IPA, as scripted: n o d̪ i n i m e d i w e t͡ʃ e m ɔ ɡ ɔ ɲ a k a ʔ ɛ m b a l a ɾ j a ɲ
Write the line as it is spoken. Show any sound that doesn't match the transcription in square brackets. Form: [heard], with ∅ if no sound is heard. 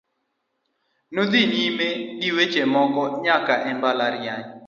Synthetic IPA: n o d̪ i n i m e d i w e t͡ʃ e m ɔ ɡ ɔ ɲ a k a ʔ ɛ m b a l a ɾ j a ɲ